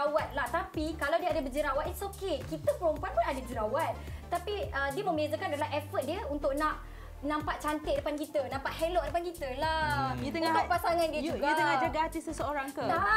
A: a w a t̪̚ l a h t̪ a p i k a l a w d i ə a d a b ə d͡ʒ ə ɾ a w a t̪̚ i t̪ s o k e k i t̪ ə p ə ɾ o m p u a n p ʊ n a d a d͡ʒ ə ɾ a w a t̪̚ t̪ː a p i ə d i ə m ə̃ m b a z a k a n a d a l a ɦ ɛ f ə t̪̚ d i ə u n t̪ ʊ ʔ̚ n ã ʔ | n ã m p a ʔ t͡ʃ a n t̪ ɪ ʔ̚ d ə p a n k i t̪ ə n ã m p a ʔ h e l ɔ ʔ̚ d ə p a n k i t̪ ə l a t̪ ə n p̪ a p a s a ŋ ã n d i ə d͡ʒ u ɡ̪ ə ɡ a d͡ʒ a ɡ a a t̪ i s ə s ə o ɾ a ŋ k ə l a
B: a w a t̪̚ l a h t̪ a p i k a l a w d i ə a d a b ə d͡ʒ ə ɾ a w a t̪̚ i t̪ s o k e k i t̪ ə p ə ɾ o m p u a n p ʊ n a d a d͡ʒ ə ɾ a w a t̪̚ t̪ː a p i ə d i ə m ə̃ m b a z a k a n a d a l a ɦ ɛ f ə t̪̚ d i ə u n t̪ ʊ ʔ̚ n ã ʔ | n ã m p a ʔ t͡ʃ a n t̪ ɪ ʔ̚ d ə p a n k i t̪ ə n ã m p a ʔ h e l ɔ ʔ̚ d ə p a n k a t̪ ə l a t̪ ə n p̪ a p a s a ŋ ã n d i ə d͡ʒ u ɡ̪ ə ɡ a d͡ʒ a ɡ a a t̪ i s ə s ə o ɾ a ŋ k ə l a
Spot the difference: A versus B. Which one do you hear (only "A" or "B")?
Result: A